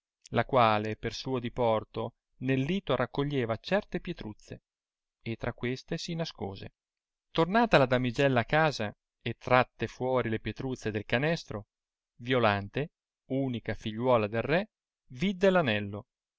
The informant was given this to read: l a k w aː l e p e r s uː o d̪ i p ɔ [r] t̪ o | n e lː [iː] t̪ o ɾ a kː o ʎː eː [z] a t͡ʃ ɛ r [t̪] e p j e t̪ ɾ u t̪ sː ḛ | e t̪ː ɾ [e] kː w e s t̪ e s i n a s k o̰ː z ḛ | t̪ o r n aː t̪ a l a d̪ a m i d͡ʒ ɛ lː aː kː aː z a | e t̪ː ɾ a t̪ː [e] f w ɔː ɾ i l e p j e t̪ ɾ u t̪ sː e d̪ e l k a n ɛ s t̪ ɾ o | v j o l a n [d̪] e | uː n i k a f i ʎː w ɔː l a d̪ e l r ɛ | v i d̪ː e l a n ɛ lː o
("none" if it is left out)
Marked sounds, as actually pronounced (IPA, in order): r, iː, v, t̪, a, e, t̪

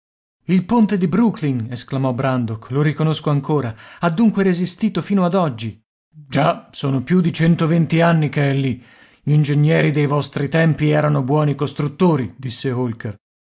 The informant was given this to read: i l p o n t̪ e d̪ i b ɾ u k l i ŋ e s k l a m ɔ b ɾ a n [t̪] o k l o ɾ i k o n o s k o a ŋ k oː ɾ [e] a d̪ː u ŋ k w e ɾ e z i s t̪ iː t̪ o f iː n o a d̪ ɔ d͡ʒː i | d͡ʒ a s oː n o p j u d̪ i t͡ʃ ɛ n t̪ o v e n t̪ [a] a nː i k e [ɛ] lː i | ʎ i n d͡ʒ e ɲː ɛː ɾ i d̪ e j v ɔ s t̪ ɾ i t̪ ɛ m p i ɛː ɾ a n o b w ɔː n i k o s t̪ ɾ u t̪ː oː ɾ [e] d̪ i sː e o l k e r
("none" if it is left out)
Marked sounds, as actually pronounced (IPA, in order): d̪, a, i, ɛ, i

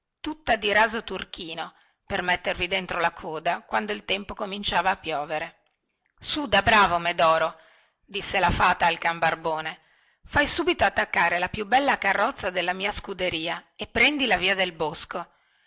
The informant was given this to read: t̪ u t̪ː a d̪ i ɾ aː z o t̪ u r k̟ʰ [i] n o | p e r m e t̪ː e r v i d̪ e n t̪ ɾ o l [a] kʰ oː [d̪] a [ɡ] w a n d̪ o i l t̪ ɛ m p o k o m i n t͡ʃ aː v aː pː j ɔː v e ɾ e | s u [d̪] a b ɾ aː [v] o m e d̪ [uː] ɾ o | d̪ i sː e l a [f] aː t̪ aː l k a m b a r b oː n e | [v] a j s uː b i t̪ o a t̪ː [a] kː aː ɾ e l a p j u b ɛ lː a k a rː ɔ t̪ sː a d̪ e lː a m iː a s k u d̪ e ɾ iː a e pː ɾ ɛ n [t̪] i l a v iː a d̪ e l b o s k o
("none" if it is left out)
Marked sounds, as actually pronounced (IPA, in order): iː, a, d̪, k, d̪, v, ɔː, f, f, a, d̪

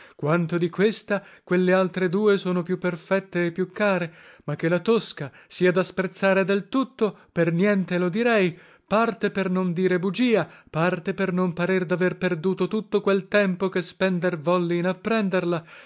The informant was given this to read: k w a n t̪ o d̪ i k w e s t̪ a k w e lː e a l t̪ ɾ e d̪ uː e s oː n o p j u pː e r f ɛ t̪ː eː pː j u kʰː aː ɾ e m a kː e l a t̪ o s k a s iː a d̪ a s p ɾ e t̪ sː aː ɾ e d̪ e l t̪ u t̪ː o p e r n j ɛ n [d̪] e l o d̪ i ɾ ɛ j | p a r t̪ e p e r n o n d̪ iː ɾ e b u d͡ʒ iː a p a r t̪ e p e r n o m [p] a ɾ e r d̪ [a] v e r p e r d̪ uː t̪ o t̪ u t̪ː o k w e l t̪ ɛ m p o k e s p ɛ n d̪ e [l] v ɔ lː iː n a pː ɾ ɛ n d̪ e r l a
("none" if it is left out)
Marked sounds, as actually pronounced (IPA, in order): t̪, p, a, r

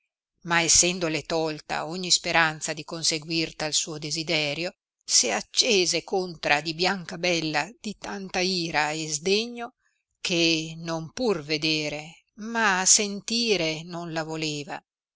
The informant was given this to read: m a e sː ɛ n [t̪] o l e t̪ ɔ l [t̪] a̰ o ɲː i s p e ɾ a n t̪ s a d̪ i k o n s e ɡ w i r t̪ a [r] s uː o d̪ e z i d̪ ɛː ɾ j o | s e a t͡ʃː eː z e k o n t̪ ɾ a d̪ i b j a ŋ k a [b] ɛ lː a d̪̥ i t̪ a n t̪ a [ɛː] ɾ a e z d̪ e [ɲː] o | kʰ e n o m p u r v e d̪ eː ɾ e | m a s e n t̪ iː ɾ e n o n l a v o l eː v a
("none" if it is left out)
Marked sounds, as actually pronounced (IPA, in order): d̪, t̪, l, b, iː, ɲː

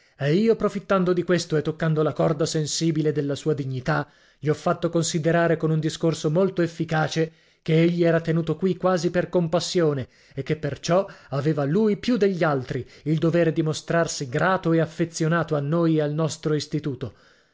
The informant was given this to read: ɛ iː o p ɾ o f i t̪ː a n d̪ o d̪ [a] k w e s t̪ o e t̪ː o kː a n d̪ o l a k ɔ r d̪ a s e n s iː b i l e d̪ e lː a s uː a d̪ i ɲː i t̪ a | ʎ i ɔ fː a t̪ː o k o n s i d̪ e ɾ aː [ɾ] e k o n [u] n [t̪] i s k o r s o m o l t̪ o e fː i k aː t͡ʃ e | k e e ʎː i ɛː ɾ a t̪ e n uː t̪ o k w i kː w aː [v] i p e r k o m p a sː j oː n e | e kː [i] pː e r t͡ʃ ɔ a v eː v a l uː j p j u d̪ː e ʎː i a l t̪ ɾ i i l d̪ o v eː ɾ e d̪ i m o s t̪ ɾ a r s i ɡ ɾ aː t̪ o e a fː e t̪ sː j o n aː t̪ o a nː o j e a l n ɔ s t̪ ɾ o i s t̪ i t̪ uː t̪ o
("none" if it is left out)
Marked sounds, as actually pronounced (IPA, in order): i, ɾ, u, d̪, z, e

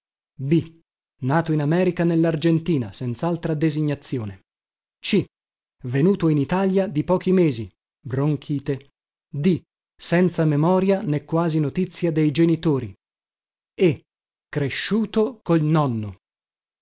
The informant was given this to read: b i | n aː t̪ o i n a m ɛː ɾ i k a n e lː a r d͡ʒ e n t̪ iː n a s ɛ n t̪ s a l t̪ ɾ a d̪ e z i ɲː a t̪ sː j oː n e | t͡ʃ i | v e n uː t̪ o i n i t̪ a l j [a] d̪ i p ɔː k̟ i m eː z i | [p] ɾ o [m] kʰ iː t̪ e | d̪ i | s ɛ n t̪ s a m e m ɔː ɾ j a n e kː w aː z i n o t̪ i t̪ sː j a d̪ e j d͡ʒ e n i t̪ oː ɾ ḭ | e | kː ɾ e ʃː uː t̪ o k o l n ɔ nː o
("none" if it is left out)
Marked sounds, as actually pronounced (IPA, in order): a, b, ŋ

